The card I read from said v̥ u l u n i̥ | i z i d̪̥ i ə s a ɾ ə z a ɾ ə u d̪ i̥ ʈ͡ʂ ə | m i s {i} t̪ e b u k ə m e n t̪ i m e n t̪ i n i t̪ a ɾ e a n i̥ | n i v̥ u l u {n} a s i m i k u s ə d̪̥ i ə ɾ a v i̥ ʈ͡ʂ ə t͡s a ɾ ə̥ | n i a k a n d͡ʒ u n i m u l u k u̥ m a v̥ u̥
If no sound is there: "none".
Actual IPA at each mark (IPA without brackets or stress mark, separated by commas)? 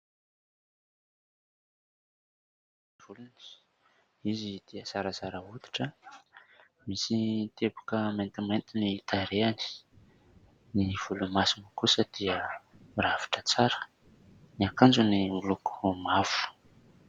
i, m